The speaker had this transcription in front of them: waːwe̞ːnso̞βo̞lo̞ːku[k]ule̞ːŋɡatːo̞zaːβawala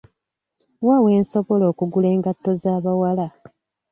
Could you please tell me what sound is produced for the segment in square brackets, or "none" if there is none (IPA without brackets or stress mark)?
ɡ